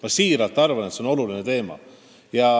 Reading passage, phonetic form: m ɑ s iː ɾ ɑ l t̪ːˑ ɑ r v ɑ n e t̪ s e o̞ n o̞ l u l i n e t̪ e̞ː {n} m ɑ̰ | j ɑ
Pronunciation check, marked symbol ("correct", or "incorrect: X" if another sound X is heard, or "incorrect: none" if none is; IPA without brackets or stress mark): incorrect: none